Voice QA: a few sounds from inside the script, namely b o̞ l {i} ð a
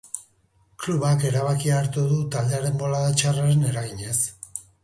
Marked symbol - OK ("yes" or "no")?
no